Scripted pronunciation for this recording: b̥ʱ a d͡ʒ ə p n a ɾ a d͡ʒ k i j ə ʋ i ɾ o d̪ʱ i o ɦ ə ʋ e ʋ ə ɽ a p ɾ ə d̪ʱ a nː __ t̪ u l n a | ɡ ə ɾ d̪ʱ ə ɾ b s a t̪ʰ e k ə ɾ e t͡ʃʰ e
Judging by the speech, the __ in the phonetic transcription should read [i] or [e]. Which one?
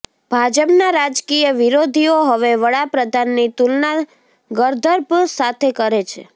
i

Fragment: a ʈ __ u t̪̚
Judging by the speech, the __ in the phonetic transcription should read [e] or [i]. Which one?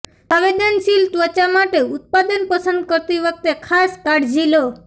e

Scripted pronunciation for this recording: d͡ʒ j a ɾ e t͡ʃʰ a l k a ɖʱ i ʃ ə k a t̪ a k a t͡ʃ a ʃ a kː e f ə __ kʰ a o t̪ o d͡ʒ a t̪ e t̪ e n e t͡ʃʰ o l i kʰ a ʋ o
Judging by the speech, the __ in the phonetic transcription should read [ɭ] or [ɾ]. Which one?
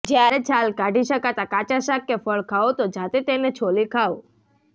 ɭ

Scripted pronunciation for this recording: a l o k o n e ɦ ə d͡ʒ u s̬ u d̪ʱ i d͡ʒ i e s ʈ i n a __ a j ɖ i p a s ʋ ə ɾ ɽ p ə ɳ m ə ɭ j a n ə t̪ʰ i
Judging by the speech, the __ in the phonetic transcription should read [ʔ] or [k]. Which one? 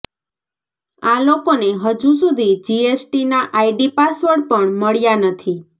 ʔ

